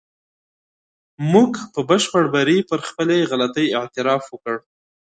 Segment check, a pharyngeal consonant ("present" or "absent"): present